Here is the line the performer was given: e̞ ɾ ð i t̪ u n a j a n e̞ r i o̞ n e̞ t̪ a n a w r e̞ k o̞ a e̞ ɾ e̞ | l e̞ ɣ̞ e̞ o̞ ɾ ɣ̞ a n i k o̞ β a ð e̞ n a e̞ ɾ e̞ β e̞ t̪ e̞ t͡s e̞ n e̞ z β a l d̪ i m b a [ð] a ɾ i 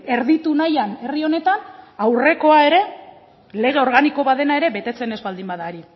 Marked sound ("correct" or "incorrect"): correct